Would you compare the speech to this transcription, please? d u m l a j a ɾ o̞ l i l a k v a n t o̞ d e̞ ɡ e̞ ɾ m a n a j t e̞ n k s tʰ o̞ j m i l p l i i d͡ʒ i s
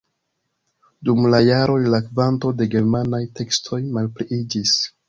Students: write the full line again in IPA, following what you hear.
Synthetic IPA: d u m l a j a ɾ o̞ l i l a k v a n t o̞ d e̞ ɡ e̞ ɾ m a n a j t e̞ k s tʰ o̞ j m a l p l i i d͡ʒ i s